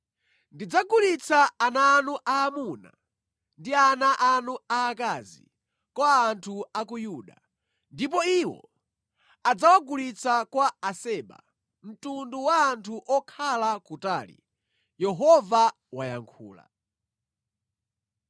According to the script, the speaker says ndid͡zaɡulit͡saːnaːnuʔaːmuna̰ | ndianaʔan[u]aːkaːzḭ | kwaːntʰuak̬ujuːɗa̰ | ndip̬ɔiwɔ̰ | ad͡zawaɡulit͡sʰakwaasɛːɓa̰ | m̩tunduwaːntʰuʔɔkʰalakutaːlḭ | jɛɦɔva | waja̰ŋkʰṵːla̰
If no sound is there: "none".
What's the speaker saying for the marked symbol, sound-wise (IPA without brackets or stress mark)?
u